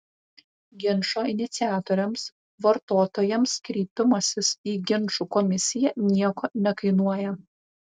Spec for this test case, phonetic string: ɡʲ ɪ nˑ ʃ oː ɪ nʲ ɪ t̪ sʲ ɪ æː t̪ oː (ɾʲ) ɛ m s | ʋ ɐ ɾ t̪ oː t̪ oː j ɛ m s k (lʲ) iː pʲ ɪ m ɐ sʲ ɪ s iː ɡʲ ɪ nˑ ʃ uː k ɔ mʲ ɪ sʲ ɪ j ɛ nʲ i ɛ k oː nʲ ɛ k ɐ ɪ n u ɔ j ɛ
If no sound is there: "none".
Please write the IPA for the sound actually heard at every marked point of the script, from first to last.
ɾʲ, ɾʲ

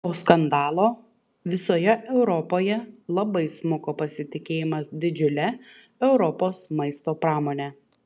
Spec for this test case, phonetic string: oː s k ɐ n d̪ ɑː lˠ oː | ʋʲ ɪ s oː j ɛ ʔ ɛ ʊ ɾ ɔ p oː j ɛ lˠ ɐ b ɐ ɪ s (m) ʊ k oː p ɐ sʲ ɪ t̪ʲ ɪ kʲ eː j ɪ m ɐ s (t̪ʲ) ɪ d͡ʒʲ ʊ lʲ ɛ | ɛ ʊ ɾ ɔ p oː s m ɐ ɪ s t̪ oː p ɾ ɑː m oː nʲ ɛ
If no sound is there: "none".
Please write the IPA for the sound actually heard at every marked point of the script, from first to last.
m, d̪ʲ

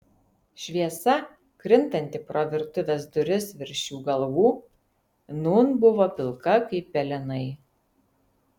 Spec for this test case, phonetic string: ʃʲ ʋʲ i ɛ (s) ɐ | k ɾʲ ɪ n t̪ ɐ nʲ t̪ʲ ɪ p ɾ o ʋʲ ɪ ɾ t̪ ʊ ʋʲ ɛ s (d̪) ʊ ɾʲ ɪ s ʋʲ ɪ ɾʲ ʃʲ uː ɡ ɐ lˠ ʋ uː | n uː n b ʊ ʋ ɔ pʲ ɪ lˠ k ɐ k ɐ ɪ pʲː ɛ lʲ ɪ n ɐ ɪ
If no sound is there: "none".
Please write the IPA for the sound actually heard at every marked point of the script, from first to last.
s, d̪

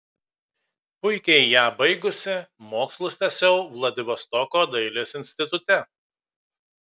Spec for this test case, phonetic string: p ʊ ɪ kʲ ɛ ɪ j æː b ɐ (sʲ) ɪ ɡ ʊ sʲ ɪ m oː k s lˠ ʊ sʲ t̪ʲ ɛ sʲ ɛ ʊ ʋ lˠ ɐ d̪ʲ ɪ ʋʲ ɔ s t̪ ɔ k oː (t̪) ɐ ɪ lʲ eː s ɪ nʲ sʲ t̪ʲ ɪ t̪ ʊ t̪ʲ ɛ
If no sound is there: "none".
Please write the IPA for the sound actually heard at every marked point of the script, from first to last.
none, d̪

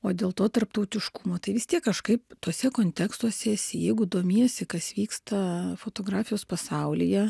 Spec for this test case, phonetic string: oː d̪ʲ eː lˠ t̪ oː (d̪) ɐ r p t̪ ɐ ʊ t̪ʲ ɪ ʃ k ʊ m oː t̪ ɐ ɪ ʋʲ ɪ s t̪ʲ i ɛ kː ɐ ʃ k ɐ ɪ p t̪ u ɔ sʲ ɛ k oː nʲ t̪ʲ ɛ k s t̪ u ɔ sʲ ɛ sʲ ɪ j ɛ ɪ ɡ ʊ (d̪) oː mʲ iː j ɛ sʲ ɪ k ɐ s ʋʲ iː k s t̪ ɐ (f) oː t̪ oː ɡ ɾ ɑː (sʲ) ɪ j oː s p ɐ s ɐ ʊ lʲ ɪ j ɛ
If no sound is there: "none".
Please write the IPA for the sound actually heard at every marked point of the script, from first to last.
t̪, d̪, f, fʲ

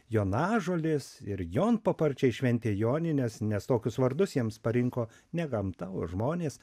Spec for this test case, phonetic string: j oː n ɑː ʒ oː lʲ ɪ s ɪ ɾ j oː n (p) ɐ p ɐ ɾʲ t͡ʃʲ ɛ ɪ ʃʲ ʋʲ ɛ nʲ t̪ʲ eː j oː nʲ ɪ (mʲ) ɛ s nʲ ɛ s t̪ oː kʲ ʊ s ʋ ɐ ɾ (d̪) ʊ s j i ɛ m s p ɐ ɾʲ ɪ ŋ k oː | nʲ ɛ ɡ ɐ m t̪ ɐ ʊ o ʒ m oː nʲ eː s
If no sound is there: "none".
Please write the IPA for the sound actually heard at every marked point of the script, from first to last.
p, nʲ, d̪

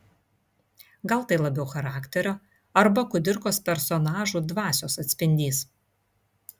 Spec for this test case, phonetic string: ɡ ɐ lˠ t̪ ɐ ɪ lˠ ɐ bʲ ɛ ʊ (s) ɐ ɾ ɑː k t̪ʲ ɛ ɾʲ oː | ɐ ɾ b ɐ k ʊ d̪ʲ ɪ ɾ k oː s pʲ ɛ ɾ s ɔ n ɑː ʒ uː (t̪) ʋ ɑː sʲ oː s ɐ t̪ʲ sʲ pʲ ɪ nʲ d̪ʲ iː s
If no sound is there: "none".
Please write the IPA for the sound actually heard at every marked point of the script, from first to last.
x, d̪

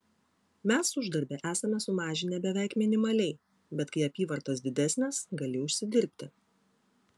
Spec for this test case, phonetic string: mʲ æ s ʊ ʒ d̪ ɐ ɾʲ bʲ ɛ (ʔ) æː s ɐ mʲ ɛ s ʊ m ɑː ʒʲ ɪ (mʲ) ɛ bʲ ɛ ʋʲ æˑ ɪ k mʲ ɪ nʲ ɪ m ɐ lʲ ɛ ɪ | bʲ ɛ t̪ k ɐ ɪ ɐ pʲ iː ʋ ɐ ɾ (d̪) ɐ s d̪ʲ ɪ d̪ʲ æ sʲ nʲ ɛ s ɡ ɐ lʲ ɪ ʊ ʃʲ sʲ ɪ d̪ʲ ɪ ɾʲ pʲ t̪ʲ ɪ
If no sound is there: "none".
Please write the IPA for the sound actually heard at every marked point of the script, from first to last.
ʔ, nʲ, t̪

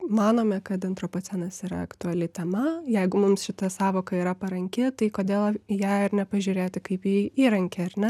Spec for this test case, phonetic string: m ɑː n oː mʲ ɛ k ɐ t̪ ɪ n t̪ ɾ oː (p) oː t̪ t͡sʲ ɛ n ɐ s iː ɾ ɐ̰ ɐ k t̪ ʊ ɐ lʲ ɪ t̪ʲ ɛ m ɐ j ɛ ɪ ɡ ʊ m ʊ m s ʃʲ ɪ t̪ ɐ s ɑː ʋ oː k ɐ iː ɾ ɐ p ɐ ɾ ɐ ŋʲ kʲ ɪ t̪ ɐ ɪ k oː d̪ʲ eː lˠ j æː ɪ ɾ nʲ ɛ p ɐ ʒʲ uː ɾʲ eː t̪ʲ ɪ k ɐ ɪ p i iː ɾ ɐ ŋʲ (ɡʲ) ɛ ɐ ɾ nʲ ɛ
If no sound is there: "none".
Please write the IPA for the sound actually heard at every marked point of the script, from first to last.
p, kʲ

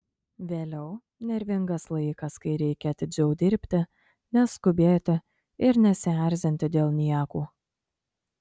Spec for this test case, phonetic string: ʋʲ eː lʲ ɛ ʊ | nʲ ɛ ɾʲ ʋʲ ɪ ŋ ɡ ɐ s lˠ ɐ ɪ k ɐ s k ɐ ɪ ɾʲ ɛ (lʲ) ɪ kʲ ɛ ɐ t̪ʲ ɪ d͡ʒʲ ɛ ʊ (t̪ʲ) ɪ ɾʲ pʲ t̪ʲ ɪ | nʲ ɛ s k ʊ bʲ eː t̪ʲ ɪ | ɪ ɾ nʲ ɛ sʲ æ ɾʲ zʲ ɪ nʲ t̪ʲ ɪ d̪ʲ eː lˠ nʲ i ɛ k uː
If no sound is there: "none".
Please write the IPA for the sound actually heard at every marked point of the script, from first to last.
none, d̪ʲ

